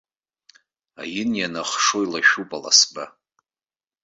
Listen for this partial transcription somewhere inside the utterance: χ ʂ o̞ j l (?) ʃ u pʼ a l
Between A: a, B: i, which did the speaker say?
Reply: A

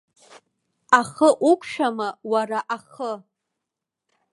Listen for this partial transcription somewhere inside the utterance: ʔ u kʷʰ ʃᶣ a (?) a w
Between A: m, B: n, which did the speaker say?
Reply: A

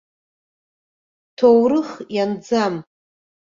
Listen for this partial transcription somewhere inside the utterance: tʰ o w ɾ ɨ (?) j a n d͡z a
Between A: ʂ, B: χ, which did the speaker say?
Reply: B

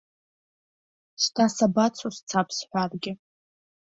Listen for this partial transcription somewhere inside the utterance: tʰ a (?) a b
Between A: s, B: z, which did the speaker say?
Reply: A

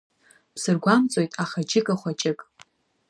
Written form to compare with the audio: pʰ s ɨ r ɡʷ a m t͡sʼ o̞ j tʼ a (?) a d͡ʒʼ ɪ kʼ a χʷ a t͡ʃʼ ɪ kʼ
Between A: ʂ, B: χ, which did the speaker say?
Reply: B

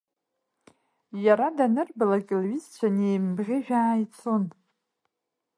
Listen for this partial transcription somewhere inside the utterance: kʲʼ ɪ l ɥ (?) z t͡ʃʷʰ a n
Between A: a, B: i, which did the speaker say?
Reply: B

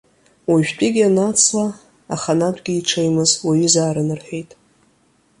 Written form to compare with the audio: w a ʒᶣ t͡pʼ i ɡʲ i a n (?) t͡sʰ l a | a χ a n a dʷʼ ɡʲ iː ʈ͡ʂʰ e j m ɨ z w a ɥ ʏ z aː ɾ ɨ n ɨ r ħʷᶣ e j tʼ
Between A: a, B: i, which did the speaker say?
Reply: A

